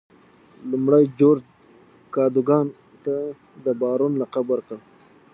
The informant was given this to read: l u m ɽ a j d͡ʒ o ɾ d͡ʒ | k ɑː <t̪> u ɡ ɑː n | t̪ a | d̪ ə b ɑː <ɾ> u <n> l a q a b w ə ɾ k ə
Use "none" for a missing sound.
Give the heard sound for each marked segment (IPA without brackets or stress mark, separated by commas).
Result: d̪, ɾ, n